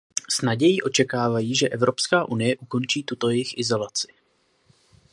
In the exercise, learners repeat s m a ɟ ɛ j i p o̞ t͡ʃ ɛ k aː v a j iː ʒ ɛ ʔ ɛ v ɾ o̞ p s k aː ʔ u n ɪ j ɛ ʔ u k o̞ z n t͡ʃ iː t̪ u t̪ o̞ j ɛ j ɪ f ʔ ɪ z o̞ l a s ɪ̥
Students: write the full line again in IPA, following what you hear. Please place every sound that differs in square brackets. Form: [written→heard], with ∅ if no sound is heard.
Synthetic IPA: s [m→n] a ɟ ɛ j i [p→ʔ] o̞ t͡ʃ ɛ k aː v a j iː ʒ ɛ ʔ ɛ v ɾ o̞ p s k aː ʔ u n ɪ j ɛ ʔ u k o̞ [z→∅] n t͡ʃ iː t̪ u t̪ o̞ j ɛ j ɪ [f→x] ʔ ɪ z o̞ l a [s→t͡s] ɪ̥